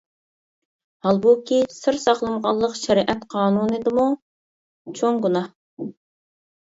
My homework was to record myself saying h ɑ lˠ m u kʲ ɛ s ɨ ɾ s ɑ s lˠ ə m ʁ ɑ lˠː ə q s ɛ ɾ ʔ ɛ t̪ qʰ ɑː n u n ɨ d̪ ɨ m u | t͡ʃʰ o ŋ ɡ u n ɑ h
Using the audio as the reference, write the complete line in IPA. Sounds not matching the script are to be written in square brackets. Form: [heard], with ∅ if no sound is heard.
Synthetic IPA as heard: h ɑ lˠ [b] u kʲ [i] s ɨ ɾ s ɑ [χ] lˠ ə m ʁ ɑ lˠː ə q [ʃ] ɛ ɾ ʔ ɛ t̪ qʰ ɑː n u n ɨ d̪ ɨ m u | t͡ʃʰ o ŋ ɡ u n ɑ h